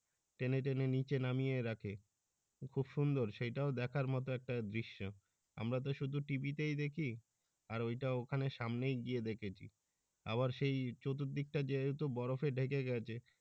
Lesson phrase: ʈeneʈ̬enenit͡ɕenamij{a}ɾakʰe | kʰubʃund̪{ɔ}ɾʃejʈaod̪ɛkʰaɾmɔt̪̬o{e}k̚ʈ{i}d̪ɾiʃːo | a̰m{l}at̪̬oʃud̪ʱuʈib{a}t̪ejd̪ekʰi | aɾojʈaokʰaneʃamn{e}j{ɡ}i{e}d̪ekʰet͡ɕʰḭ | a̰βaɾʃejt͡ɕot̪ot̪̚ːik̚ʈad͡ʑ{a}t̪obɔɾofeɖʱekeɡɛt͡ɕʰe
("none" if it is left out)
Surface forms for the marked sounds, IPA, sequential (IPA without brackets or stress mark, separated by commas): e, o, ɛ, a, ɾ, i, e, ɡ, e, e